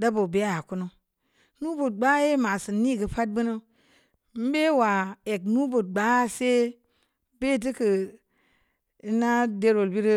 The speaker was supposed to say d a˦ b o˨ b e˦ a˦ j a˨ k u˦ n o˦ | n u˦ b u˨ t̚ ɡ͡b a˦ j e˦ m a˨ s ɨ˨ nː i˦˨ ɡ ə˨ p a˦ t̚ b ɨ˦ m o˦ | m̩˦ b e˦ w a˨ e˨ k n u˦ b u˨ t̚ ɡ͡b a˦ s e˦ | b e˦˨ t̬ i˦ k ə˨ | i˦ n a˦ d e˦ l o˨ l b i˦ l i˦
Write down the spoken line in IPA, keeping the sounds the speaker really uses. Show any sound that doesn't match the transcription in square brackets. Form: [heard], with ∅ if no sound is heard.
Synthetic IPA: d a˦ b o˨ b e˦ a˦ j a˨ k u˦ n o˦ | n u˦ b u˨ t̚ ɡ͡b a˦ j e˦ m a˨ s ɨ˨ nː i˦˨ ɡ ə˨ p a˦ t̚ b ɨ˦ [n] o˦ | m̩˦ b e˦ w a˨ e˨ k n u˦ b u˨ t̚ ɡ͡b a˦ s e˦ | b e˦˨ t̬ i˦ k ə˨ | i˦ n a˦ d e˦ [ɾ] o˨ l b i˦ [ɾ] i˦